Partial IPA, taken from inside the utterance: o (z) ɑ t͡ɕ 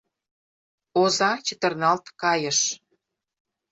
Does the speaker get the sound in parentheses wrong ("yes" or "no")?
no